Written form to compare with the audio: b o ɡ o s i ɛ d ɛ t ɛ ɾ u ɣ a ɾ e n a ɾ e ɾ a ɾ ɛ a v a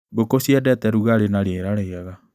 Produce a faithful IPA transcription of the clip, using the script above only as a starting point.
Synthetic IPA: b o k o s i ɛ d ɛ t ɛ ɾ u ɣ a ɾ e n a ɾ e ɾ a ɾ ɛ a ɣ a